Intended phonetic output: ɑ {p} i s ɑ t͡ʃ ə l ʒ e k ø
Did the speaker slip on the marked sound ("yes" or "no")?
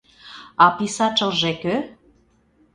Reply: no